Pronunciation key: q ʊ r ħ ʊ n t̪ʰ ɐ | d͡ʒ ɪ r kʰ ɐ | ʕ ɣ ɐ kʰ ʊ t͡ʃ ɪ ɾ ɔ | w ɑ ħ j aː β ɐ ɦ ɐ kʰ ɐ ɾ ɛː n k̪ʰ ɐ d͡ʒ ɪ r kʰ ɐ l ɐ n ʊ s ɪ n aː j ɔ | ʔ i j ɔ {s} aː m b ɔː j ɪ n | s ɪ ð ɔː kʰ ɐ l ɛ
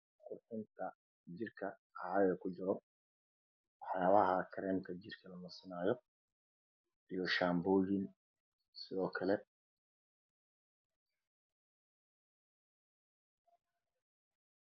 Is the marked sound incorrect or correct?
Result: incorrect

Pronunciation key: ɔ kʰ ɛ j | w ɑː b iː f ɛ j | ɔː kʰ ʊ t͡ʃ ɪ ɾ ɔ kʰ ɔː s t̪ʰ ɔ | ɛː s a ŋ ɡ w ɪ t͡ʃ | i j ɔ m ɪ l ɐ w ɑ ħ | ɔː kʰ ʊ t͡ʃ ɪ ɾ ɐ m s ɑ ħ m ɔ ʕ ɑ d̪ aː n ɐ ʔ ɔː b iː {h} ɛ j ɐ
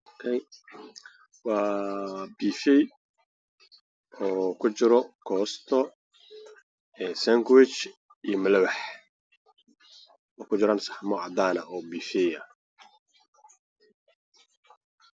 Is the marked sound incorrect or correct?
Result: incorrect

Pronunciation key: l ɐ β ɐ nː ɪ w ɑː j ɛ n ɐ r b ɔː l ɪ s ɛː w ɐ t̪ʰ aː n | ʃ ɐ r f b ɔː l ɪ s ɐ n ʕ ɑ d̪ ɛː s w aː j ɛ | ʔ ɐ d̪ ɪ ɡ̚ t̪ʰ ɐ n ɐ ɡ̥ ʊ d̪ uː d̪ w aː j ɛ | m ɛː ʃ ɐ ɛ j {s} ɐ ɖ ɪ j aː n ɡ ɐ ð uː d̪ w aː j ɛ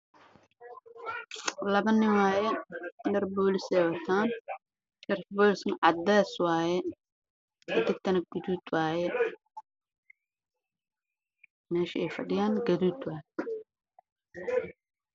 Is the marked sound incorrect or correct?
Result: incorrect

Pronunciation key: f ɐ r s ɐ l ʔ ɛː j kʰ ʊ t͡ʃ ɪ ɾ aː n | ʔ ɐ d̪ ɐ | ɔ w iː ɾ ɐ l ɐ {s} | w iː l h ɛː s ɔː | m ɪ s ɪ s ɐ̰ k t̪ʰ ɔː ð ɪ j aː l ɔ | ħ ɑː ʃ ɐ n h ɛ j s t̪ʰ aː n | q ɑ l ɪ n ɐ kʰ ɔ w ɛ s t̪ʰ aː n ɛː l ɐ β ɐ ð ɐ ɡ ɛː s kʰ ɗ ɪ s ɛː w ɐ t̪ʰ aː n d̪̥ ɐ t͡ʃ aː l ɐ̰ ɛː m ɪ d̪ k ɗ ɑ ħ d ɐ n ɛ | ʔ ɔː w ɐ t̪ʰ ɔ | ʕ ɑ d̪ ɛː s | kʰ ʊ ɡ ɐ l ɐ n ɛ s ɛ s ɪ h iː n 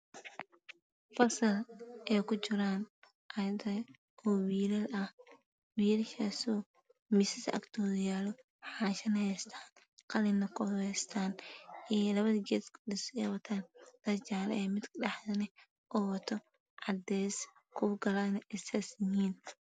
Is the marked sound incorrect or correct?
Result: incorrect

